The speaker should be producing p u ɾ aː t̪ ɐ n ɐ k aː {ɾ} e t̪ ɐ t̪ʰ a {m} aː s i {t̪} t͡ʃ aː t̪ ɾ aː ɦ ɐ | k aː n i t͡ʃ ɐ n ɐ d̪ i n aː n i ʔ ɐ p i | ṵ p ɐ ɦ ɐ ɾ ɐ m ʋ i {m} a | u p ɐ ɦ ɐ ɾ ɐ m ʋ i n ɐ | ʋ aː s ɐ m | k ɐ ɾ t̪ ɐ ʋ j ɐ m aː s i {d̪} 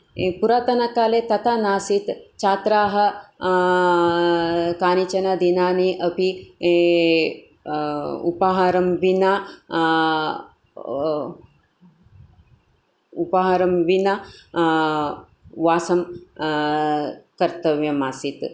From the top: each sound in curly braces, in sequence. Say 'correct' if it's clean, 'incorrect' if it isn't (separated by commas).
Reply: incorrect, incorrect, correct, incorrect, incorrect